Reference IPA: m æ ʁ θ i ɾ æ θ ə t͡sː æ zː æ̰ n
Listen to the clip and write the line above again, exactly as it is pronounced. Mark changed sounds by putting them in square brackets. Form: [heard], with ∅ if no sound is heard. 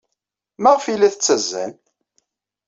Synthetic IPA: m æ ʁ [f] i [l] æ θ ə t͡sː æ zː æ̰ n